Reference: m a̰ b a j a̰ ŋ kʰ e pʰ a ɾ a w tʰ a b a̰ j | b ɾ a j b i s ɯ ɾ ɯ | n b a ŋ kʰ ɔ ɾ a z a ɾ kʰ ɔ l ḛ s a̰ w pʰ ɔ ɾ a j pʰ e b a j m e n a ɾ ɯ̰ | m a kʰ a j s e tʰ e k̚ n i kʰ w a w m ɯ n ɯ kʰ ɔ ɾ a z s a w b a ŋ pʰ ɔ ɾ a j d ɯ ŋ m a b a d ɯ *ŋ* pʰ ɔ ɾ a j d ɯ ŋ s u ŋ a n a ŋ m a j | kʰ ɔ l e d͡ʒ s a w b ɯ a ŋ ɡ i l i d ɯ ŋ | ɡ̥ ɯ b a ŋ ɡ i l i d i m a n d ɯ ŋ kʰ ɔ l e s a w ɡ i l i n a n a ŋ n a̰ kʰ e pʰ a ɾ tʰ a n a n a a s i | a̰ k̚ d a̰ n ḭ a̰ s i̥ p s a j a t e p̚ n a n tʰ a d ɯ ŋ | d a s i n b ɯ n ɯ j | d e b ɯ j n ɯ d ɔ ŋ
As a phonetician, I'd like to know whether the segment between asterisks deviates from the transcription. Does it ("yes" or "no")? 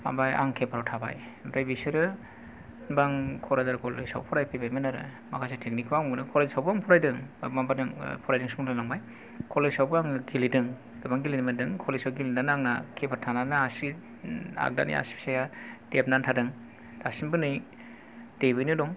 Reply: no